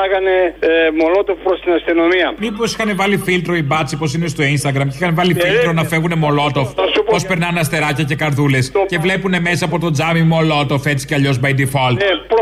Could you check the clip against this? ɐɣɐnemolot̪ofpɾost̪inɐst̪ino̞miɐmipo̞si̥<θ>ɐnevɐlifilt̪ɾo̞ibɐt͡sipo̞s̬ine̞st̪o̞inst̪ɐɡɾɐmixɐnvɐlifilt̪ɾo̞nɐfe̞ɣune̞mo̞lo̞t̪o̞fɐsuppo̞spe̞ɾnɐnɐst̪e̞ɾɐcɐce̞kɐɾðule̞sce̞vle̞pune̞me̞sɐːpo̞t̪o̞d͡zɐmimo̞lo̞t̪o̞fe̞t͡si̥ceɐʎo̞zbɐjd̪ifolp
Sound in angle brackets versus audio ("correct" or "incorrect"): incorrect